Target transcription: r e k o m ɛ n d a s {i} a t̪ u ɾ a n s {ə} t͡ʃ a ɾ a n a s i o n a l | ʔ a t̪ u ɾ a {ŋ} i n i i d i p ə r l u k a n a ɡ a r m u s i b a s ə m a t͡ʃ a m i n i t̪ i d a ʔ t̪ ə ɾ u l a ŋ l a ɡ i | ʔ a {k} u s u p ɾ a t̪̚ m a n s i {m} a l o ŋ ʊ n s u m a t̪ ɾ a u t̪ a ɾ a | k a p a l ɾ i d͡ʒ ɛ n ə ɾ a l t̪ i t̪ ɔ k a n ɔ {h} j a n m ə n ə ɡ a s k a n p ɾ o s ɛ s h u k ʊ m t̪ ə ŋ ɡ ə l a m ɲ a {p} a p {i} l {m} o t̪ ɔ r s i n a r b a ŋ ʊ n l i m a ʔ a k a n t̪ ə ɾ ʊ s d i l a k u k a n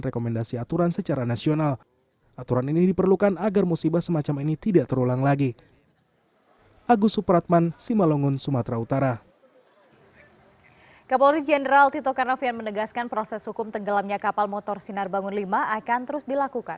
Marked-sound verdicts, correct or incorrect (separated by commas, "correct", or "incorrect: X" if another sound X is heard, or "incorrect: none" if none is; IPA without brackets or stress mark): correct, correct, incorrect: n, incorrect: ɡ, correct, incorrect: f, incorrect: k, incorrect: a, correct